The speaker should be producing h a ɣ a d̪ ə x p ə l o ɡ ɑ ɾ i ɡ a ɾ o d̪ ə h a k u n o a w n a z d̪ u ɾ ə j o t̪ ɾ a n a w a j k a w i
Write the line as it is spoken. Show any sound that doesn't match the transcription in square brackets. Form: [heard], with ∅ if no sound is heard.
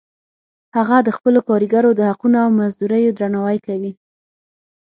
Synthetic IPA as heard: h a ɣ a d̪ ə x p ə l o [k] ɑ ɾ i ɡ a ɾ o d̪ ə h a [q] u n o a w [m] a z d̪ u ɾ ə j o [d̪] ɾ a n a w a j k a w i